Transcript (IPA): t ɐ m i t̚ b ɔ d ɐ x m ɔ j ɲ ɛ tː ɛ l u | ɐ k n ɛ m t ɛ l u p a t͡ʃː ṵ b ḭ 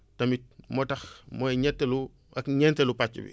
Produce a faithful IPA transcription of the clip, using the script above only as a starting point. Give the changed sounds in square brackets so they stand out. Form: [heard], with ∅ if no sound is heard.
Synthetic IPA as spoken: t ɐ m i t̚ [m] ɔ [t] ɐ x m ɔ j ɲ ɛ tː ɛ l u | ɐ k [ɲ] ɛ [n] t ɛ l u p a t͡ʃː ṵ b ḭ